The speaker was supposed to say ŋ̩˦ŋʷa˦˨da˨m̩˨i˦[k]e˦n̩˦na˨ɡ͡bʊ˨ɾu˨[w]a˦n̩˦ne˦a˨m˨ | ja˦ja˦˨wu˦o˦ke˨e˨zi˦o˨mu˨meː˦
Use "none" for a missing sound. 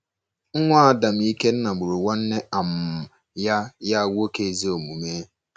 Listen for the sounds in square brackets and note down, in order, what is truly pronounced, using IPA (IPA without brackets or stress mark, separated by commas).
k, w